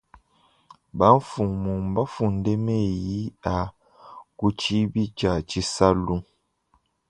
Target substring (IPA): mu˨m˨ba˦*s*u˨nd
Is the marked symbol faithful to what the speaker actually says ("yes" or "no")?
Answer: no